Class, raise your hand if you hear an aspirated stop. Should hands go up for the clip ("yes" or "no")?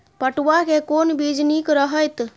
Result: no